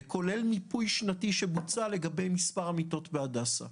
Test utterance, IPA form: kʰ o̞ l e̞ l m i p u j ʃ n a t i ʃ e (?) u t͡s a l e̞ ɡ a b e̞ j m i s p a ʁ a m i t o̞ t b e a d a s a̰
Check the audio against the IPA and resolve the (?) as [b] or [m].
b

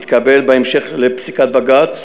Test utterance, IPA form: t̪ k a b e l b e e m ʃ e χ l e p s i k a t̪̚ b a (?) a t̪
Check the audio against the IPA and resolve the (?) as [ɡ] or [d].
ɡ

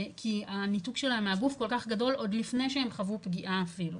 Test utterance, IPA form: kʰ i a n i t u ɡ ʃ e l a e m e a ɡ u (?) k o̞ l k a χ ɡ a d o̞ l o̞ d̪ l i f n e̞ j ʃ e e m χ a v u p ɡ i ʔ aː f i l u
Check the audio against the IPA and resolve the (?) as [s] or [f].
f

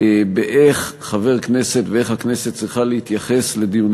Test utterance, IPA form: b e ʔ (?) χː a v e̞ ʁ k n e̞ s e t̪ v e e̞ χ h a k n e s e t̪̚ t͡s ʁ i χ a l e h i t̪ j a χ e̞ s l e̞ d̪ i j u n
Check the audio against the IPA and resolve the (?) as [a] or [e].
e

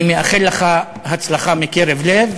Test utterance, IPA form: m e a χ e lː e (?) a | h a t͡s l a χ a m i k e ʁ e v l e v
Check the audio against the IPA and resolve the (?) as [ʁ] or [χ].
χ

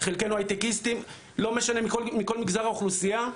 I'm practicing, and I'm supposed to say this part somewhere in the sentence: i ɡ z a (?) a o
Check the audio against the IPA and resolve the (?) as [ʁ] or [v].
ʁ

